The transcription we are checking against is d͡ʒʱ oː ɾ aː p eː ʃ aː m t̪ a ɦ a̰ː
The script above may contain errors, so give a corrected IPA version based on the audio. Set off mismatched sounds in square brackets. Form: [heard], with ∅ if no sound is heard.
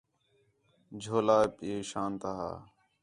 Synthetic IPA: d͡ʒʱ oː [l] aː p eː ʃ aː [n] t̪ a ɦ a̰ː